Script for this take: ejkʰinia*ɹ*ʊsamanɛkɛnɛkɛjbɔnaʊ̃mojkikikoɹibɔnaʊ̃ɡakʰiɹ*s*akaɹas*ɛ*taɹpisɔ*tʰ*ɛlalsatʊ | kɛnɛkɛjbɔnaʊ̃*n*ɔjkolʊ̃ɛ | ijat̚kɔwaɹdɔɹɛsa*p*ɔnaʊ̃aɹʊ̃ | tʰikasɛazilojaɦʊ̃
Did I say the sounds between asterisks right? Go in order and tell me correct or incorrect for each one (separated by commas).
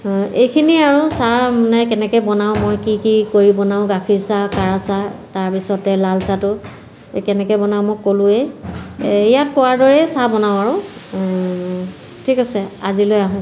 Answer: correct, correct, incorrect, incorrect, incorrect, incorrect